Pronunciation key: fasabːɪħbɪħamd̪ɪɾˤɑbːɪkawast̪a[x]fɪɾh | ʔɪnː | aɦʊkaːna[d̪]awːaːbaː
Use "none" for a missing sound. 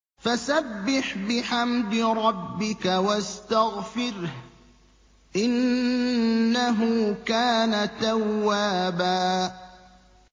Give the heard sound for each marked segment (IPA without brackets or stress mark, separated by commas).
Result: ɣ, t̪